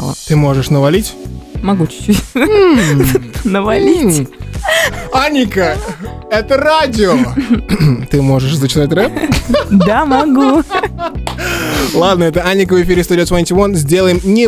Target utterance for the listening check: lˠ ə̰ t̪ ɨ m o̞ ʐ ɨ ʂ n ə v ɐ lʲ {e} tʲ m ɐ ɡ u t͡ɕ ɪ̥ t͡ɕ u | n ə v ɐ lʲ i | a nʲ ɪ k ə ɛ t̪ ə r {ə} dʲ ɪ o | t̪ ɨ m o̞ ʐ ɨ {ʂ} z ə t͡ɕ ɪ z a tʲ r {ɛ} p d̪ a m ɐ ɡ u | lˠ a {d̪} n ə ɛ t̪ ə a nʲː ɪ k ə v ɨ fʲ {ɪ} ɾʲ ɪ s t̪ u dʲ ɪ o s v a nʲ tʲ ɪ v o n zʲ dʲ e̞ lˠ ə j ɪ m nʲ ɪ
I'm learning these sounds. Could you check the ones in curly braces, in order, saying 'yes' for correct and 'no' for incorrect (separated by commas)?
no, no, yes, yes, yes, no